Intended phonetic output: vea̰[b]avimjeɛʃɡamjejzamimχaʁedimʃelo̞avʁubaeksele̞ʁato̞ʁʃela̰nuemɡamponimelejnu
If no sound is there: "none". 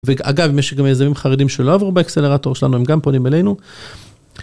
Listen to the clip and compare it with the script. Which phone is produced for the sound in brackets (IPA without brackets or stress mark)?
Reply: ɡ